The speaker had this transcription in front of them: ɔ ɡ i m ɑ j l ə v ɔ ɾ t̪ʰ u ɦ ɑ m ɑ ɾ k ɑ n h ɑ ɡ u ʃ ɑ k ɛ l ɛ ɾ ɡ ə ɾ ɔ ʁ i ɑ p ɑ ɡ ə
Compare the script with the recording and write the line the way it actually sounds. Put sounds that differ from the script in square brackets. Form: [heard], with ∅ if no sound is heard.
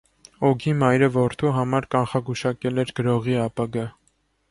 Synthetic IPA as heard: ɔ ɡ i m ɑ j [ɾ] ə v ɔ ɾ t̪ʰ u ɦ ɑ m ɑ ɾ k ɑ n [χ] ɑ ɡ u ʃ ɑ k ɛ l ɛ ɾ ɡ ə ɾ ɔ ʁ i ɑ p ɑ ɡ [ɑ]